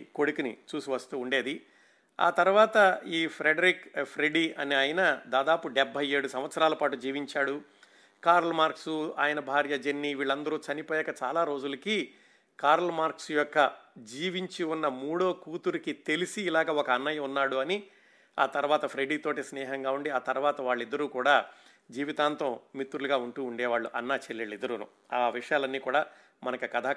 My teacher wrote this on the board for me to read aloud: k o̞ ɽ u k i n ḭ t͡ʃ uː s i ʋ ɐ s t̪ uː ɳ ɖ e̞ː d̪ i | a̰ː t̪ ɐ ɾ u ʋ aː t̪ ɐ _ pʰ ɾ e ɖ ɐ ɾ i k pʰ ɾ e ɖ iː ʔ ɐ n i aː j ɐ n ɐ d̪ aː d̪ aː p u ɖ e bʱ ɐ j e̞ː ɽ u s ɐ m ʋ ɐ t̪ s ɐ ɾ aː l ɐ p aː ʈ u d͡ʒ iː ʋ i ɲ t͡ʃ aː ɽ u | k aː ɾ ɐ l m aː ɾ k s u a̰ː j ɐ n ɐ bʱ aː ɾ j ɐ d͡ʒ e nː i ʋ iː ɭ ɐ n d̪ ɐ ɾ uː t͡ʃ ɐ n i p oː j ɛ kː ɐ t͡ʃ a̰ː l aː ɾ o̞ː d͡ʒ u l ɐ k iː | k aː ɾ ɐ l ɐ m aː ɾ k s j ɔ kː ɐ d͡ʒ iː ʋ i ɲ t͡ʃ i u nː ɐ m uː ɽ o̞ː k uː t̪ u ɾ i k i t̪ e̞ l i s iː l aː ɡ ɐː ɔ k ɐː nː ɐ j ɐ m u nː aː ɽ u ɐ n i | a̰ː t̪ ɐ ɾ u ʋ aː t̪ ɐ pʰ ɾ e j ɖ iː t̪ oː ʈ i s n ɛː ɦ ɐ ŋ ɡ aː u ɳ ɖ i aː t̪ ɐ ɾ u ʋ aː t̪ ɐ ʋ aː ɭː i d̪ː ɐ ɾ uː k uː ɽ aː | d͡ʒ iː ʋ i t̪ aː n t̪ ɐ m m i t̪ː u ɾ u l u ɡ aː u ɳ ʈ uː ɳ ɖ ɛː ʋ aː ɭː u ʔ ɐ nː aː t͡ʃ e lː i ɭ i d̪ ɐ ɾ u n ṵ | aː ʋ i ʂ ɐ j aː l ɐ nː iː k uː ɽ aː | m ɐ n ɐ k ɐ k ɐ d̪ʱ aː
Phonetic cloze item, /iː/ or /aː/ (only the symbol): iː